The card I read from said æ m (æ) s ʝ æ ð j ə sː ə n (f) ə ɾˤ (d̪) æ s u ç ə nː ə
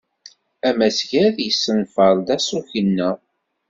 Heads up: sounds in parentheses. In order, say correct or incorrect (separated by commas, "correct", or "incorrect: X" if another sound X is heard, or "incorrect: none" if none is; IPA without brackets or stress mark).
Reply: correct, correct, correct